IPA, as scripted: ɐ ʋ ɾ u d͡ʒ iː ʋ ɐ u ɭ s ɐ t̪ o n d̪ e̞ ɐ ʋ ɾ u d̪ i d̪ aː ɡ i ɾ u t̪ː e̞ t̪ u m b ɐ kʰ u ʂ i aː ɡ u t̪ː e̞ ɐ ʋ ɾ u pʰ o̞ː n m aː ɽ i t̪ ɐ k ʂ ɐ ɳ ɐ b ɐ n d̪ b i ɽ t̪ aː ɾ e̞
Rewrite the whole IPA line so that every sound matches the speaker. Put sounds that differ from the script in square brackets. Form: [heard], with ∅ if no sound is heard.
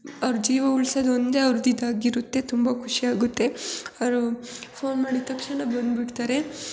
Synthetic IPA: ɐ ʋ ɾ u d͡ʒ iː ʋ ɐ u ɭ s ɐ [d̪] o n d̪ e̞ ɐ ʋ ɾ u d̪ i d̪ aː ɡ i ɾ u t̪ː e̞ t̪ u m b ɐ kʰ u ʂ i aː ɡ u t̪ː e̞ ɐ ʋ ɾ u pʰ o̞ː n m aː ɽ i t̪ ɐ k ʂ ɐ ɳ ɐ b ɐ n d̪ b i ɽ t̪ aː ɾ e̞